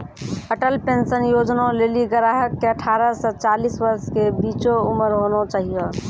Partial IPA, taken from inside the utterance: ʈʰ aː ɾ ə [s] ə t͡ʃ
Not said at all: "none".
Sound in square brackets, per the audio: s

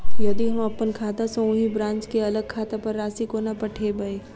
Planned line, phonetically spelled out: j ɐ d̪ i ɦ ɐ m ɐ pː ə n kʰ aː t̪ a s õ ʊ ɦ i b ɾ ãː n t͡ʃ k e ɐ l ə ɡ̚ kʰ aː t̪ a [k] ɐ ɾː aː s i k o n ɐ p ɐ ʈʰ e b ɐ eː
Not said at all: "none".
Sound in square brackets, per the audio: p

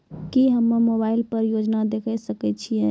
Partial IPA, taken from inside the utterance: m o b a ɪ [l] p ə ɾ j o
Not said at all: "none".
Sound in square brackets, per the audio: l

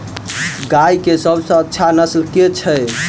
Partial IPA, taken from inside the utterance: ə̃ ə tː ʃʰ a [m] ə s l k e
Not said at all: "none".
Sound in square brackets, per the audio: n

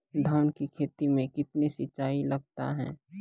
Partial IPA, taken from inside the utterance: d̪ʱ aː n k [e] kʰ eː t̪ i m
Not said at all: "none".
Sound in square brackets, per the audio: i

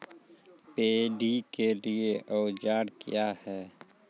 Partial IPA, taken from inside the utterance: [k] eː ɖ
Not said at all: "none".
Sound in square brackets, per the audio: p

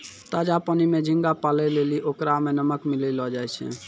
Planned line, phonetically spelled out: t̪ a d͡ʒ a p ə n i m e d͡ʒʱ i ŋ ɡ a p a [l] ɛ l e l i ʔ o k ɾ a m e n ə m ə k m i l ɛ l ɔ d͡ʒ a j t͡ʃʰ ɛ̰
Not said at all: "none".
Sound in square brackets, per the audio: l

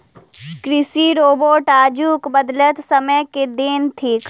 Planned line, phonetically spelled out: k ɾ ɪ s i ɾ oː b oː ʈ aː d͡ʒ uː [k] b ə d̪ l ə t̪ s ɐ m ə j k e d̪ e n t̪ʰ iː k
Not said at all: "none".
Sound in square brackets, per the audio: k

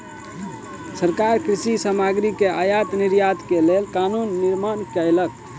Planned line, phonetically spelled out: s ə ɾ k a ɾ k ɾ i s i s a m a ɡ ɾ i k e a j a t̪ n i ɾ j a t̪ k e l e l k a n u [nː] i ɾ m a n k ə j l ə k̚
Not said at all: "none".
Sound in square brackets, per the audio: nː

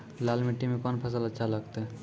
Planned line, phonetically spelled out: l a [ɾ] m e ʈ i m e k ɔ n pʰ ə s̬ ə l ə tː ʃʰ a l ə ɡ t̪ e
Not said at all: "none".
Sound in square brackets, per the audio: l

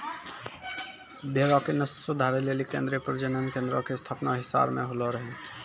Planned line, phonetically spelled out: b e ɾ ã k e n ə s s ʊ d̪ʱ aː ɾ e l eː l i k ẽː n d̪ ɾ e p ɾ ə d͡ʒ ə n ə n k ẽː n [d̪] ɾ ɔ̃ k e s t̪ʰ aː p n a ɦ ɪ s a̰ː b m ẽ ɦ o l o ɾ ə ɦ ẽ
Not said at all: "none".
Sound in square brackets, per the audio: d̪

